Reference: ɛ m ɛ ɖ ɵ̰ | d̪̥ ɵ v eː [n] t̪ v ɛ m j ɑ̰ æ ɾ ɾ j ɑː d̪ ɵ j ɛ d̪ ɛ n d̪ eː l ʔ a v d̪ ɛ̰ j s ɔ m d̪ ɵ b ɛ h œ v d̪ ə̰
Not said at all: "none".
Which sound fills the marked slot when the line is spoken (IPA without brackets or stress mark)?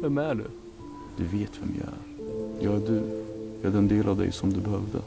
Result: none